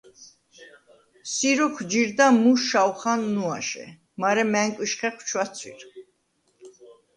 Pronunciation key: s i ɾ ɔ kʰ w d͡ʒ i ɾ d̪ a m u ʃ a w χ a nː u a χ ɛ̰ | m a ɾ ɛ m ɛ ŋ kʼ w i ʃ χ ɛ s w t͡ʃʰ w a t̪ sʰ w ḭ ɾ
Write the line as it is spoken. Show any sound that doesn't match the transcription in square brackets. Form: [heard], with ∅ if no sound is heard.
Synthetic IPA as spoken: s i ɾ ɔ kʰ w d͡ʒ i ɾ d̪ a m u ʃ a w χ a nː u a [ʃ] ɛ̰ | m a ɾ ɛ m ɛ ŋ kʼ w i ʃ χ ɛ [χ] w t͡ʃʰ w a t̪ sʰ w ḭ ɾ